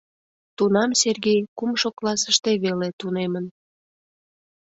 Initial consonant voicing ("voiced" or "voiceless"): voiceless